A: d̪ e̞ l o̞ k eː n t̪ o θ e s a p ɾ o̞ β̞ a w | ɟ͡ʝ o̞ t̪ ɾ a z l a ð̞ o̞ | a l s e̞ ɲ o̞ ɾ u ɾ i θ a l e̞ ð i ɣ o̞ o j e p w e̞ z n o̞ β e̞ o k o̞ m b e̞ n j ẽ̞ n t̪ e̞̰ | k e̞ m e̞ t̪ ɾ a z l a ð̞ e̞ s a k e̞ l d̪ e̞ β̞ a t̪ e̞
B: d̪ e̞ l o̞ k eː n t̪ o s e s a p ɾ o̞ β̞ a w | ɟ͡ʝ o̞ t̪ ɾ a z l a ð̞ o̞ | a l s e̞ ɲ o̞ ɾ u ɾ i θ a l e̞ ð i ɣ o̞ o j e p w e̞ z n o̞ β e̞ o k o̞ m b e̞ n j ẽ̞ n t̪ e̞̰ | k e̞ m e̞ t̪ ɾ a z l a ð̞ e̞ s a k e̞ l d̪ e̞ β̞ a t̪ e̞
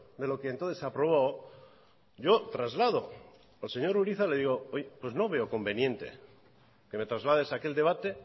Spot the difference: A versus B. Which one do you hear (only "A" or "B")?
A